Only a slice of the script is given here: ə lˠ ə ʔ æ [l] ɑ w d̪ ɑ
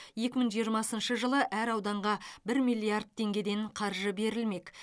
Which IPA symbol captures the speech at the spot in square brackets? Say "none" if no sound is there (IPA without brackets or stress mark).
ɾ